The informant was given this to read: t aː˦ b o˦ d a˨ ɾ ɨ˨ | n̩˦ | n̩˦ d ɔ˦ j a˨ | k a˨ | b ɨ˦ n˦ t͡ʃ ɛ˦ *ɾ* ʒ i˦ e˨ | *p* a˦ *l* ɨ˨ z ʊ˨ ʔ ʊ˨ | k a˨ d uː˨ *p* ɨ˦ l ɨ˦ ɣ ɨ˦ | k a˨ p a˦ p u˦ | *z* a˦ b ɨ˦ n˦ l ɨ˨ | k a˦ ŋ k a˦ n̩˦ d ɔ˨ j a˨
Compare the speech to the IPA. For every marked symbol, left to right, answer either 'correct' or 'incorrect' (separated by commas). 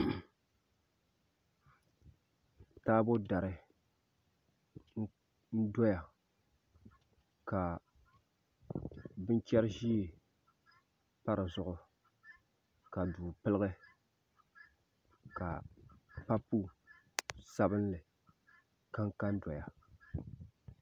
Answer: correct, correct, incorrect, correct, incorrect